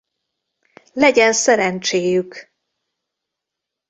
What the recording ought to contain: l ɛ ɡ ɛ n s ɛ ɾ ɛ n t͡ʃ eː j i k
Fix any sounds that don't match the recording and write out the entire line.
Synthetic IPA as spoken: l ɛ ɟ ɛ n s ɛ ɾ ɛ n t͡ʃ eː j y k